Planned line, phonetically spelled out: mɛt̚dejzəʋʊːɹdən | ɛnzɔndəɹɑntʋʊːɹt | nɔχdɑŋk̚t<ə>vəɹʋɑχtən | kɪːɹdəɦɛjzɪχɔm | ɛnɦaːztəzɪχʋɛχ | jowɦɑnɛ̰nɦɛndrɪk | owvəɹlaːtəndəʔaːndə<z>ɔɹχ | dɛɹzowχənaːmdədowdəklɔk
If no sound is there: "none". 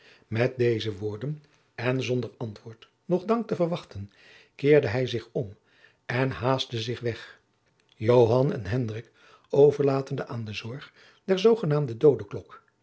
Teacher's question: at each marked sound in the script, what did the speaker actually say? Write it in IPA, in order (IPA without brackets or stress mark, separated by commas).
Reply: ə, z